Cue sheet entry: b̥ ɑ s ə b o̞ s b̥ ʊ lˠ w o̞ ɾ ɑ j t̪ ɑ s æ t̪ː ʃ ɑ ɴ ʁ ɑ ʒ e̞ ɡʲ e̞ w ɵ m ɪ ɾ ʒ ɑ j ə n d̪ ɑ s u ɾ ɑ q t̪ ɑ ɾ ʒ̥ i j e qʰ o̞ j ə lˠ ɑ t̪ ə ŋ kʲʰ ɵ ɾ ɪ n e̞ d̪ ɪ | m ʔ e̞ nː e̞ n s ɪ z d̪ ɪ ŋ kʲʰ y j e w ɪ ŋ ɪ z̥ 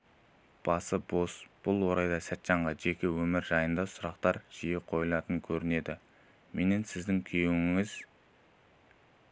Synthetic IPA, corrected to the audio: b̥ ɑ s ə b o̞ s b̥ ʊ lˠ w o̞ ɾ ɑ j d̪ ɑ s æ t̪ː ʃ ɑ ɴ ʁ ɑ ʒ e̞ kʲ e̞ w ɵ m ɪ ɾ ʒ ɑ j ə n d̪ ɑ s ʊ ɾ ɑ q t̪ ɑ ɾ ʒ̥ i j e qʰ o̞ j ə lˠ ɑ t̪ ə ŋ kʲʰ ɵ ɾ ɪ n e̞ d̪ ɪ | m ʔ e̞ n e̞ n s ɪ z d̪ ɪ ŋ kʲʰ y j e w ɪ ŋ ɪ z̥